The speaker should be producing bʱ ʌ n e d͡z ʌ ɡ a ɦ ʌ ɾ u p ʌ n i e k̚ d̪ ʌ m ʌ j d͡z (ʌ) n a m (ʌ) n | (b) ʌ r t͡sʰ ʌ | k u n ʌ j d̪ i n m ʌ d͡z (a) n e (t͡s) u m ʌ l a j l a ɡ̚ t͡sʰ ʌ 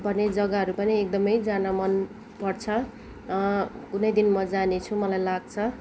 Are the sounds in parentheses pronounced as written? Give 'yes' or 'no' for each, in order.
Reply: no, yes, no, yes, no

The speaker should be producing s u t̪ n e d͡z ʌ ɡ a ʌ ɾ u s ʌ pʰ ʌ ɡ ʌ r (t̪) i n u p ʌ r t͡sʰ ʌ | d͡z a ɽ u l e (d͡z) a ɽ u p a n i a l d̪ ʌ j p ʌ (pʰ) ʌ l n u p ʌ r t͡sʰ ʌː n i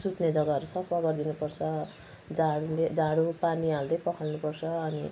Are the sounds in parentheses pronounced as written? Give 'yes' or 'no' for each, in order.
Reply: no, yes, no

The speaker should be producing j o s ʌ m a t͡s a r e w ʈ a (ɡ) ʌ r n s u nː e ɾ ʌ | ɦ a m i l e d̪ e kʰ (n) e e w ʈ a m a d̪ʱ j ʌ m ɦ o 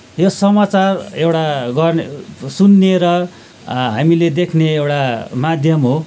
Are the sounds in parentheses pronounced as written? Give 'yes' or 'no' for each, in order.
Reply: yes, yes

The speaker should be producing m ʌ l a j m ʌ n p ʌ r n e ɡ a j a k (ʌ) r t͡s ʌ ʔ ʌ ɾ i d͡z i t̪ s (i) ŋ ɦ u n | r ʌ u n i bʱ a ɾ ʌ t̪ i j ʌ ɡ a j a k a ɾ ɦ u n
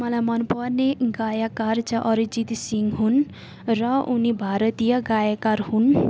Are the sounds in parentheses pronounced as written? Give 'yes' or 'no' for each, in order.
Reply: no, yes

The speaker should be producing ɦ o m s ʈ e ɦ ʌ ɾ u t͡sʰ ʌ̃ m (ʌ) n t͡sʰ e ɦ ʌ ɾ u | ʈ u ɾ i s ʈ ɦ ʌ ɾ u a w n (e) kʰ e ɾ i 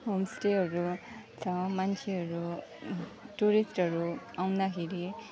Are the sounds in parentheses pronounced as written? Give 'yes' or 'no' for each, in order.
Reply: no, no

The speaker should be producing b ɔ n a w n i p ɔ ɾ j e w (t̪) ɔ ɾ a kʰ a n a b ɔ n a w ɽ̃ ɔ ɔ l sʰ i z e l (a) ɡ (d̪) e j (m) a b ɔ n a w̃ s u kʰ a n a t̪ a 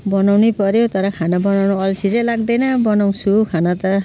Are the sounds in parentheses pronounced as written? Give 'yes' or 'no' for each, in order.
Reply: yes, yes, yes, no

